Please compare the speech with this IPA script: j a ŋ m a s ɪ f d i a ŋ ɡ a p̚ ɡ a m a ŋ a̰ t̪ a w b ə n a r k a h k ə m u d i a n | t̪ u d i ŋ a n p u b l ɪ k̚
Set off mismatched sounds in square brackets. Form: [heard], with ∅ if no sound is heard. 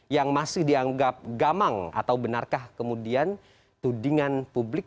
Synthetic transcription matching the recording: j a ŋ m a s ɪ [h] d i a ŋ ɡ a p̚ ɡ a m a ŋ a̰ t̪ a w b ə n a r k a h k ə m u d i a n | t̪ u d i ŋ a n p u b l ɪ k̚